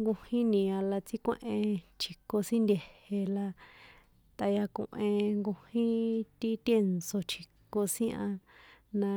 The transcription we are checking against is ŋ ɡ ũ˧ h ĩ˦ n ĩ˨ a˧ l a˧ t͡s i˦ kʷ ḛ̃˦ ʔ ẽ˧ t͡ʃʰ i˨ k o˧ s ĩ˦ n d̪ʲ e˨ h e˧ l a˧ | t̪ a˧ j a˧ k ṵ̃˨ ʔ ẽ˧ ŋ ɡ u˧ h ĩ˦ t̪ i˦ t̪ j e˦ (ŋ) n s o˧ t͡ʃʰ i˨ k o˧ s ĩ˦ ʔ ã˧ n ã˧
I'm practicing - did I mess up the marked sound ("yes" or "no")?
yes